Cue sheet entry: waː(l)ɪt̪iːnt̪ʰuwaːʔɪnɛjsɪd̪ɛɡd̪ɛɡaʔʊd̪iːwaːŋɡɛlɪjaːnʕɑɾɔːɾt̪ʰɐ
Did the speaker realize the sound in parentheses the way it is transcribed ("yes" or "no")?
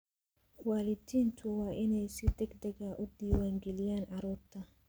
yes